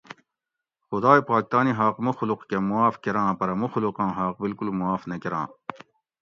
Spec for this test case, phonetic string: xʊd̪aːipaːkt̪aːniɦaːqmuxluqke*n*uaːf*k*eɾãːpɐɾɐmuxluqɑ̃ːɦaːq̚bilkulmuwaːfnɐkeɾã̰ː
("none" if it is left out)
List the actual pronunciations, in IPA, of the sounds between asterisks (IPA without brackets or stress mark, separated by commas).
m, k